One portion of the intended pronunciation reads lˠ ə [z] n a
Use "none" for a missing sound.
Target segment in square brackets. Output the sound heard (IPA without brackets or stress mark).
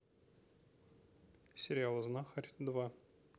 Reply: z